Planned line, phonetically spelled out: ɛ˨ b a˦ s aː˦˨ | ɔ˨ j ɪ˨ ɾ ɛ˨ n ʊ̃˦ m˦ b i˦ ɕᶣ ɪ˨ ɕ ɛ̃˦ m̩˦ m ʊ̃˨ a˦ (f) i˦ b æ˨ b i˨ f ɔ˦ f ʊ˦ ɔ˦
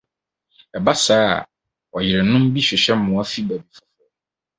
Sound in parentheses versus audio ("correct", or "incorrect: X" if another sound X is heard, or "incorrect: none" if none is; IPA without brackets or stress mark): correct